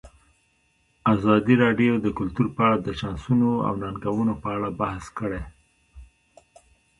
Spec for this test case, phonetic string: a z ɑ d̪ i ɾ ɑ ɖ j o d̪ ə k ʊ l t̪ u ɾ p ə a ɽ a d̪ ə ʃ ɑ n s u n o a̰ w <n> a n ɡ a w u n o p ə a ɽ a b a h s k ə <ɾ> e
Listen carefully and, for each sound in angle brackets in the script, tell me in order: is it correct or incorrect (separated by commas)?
correct, incorrect